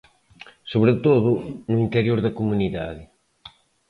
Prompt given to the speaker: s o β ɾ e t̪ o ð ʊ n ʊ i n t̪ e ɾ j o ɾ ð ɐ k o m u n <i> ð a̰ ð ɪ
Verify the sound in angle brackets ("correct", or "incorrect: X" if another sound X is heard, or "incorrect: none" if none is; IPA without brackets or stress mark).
correct